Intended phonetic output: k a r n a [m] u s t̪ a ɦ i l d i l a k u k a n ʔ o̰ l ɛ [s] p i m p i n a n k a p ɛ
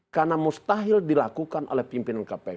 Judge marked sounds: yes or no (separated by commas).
yes, no